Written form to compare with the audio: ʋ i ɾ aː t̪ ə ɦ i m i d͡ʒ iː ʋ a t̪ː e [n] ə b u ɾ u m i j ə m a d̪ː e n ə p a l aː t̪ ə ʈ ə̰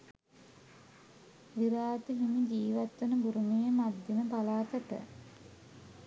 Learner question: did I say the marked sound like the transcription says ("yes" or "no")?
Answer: yes